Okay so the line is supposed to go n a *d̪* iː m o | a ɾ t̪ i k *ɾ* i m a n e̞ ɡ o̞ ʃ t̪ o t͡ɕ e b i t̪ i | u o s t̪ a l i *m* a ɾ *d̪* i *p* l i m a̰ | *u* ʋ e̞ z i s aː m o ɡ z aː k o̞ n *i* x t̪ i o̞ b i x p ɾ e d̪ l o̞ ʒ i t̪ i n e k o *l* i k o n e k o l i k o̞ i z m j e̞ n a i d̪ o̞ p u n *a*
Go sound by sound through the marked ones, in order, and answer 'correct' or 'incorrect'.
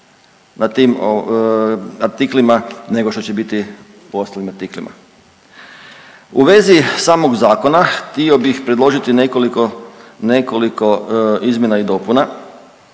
incorrect: t̪, incorrect: l, correct, incorrect: t̪, incorrect: k, correct, incorrect: a, correct, correct

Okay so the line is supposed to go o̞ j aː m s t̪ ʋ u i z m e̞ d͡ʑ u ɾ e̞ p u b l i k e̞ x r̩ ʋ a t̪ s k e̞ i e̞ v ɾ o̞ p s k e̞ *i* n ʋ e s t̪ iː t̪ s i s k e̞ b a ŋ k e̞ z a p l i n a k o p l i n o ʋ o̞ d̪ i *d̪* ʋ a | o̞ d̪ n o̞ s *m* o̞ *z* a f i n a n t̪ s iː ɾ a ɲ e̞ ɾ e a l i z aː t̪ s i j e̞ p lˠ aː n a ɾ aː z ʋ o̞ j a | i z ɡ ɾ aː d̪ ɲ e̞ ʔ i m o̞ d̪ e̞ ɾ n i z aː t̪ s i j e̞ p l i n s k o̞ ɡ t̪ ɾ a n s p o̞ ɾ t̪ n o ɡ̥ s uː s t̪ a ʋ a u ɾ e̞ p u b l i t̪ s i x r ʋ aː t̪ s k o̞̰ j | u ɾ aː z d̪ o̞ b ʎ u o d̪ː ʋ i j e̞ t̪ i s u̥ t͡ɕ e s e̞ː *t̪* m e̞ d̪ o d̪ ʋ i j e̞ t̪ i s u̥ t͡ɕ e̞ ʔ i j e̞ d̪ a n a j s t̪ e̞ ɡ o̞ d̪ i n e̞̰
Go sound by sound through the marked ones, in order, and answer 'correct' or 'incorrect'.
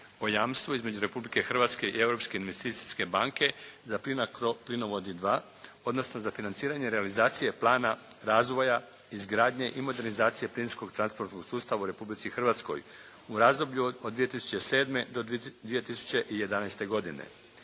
correct, correct, incorrect: n, correct, incorrect: d̪

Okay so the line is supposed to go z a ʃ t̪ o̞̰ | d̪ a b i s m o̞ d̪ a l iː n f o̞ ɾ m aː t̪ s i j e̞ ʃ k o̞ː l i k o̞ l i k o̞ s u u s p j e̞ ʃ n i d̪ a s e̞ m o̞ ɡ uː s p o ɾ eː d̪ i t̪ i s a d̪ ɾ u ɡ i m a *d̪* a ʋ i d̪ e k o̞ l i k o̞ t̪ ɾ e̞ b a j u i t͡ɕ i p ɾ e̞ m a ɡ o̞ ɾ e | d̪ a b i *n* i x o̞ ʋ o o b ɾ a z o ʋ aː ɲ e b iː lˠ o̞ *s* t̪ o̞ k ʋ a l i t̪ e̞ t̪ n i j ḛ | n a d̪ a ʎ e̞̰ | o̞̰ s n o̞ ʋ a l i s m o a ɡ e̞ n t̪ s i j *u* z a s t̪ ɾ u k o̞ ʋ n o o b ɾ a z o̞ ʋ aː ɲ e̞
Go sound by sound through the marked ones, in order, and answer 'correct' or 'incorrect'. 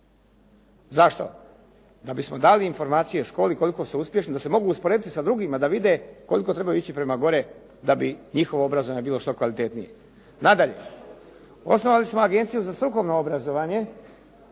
correct, incorrect: ɲ, incorrect: ʃ, correct

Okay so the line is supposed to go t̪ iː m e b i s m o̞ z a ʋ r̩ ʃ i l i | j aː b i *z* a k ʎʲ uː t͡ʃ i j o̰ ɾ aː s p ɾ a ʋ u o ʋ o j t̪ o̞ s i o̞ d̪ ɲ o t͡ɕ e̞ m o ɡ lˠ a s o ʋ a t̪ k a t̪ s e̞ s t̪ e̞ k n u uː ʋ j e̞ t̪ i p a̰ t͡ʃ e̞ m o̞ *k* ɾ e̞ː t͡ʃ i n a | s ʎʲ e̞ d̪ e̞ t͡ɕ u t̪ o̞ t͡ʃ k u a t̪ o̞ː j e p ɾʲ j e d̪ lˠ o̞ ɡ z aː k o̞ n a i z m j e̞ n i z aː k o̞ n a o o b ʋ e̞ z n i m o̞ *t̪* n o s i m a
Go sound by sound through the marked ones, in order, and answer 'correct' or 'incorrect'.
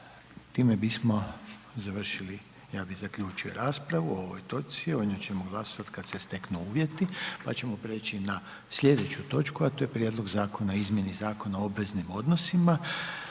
correct, incorrect: p, incorrect: d̪

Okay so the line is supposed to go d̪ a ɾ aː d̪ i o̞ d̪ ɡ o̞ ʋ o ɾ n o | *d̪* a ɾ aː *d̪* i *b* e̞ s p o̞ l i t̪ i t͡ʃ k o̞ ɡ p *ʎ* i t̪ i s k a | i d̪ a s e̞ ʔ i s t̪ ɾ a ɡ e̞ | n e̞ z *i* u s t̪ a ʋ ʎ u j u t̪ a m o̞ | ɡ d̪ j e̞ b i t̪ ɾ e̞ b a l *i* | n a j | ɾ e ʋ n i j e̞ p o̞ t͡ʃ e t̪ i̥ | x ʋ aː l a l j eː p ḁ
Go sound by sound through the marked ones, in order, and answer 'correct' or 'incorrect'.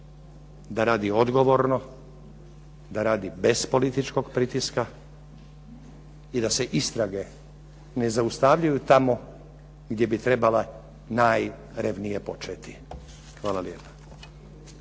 correct, correct, correct, incorrect: ɾ, incorrect: a, incorrect: a

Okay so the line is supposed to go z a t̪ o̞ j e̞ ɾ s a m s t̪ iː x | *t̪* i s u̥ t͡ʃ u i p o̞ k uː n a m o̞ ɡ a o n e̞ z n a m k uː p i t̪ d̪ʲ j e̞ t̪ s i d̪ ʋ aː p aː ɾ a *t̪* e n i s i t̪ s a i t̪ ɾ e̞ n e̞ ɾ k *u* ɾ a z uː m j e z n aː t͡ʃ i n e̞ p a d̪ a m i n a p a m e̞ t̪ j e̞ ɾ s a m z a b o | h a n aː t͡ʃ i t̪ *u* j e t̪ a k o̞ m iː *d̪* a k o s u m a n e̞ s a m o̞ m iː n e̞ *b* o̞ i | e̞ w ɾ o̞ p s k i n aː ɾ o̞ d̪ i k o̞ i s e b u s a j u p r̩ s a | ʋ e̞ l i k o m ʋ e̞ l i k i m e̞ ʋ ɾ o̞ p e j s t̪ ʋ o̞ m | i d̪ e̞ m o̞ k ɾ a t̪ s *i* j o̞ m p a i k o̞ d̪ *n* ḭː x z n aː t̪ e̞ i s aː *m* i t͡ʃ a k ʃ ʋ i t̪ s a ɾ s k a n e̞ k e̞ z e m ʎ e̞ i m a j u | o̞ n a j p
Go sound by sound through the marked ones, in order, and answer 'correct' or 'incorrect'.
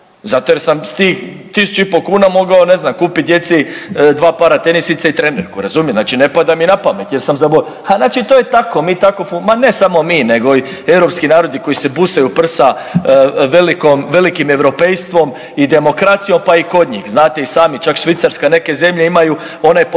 correct, correct, correct, incorrect: o, incorrect: t̪, incorrect: ɡ, correct, incorrect: ɲ, correct

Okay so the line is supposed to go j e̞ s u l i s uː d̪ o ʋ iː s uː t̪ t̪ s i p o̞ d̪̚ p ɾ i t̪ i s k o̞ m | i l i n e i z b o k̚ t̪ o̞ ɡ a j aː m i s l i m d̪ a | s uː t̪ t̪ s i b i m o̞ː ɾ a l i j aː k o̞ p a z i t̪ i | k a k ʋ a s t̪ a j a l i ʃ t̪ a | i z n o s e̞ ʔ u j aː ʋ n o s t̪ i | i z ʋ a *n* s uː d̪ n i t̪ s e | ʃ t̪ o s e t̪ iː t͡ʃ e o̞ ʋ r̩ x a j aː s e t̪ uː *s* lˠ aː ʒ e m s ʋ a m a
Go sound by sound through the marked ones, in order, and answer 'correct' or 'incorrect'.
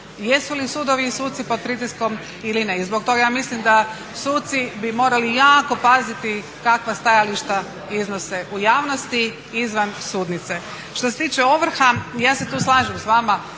correct, correct

